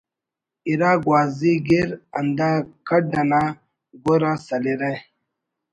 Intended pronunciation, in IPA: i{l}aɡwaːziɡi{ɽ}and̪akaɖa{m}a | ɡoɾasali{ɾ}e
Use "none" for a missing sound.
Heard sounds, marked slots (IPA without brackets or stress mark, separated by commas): ɾ, ɾ, n, ɾ